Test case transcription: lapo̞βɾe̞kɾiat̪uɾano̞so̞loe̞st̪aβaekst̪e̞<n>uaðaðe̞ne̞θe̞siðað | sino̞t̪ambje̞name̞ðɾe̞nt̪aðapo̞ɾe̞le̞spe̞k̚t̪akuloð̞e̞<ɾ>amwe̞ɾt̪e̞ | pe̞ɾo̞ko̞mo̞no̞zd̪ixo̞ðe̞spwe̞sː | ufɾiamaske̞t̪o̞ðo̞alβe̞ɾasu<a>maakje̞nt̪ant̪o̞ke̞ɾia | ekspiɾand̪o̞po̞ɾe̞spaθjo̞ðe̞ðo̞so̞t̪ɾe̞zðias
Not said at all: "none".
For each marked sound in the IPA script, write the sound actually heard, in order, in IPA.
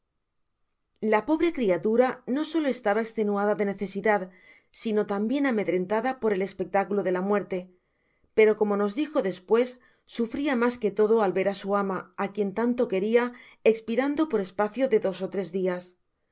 n, l, a

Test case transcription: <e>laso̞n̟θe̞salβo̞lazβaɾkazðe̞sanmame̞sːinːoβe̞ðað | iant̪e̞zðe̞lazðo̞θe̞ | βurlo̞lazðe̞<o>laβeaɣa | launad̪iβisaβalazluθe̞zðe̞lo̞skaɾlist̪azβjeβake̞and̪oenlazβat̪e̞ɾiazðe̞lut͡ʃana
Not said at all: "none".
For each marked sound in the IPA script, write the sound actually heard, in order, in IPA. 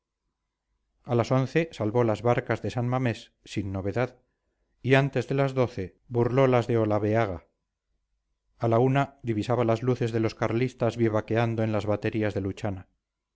a, o

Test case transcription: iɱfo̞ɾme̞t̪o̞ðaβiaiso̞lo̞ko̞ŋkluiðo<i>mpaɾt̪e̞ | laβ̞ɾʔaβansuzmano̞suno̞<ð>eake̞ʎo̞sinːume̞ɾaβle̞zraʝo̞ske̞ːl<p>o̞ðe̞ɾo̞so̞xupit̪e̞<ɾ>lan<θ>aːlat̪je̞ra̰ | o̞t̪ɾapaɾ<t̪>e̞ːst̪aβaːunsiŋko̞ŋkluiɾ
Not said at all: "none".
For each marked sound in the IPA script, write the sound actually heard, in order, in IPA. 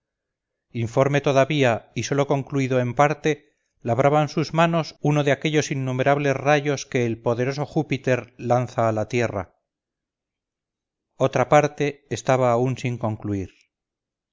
e, ð, p, ɾ, θ, t̪

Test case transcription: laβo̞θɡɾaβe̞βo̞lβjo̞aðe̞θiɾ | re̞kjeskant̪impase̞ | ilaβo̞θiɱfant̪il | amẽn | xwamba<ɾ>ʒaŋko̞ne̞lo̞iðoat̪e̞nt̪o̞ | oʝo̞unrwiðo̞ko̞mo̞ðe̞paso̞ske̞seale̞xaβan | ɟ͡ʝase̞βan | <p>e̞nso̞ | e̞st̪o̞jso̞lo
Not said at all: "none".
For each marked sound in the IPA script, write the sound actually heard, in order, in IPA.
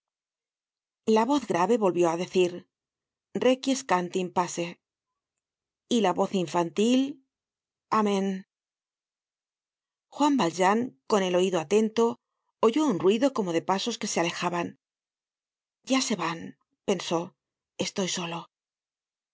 l, p

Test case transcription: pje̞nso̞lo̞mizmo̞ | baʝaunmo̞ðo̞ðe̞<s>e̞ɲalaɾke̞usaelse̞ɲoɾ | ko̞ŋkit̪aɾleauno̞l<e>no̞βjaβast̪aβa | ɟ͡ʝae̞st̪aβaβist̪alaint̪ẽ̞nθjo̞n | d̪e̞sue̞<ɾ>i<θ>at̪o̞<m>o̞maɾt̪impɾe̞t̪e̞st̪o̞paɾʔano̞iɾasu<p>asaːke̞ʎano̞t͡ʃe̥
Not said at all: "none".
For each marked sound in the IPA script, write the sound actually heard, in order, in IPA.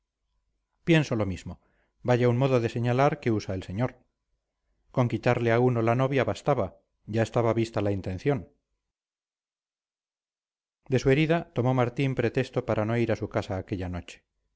s, a, ɾ, ð, m, k

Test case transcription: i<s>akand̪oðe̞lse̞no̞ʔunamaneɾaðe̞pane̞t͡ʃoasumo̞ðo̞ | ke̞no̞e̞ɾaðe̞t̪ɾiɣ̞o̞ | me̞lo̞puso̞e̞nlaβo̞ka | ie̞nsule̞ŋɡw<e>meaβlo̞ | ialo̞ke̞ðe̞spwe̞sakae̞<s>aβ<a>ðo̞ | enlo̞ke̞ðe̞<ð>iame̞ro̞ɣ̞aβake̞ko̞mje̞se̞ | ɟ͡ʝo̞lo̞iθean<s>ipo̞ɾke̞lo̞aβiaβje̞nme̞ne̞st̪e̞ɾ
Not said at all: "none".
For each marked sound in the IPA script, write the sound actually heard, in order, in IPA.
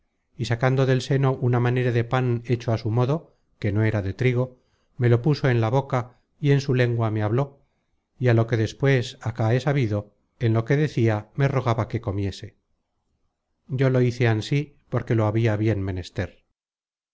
s, a, s, i, θ, s

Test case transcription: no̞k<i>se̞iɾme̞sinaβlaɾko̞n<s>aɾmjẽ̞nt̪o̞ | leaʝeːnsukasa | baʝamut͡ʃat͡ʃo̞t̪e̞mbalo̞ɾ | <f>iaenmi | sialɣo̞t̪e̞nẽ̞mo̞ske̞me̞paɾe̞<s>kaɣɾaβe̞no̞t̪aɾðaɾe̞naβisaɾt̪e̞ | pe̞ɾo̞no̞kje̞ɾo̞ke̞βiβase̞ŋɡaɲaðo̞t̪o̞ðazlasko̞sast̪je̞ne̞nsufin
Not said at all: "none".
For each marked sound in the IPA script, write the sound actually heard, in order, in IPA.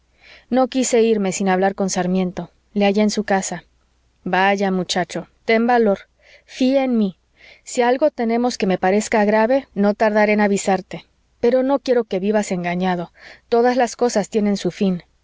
i, s, f, s

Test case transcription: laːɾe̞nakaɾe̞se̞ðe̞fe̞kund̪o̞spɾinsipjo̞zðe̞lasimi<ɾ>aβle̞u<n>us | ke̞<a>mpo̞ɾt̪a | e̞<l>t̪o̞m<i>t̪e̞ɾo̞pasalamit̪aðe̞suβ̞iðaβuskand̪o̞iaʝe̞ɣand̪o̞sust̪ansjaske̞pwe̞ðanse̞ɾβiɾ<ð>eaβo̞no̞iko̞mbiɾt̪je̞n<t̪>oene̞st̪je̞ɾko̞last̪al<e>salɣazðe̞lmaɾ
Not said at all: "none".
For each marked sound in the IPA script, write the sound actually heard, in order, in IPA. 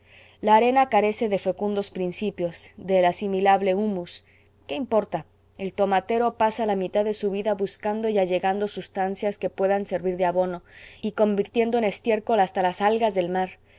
l, m, i, l, a, ð, d̪, a

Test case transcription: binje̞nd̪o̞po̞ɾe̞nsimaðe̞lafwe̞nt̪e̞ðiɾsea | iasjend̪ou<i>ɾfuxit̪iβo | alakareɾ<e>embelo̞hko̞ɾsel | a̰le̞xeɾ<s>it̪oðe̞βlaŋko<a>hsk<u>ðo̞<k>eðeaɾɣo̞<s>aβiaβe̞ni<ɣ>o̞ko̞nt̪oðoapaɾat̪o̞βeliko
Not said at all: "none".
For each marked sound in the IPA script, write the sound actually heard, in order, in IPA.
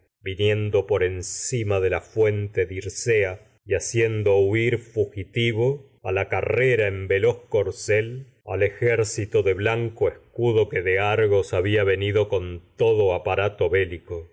i, a, s, e, u, k, s, ð

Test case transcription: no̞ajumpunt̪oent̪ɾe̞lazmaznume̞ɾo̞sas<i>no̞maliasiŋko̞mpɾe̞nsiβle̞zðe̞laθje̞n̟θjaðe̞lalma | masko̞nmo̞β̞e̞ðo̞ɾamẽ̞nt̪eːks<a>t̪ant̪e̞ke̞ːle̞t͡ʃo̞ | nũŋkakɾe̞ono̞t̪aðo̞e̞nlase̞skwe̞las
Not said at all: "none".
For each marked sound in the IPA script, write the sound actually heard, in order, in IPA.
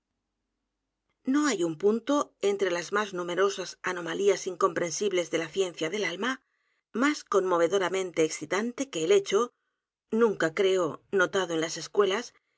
a, i

